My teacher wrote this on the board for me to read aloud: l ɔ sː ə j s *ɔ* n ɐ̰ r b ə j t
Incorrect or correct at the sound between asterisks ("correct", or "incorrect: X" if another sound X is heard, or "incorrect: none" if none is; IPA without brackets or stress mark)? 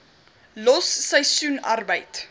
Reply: incorrect: u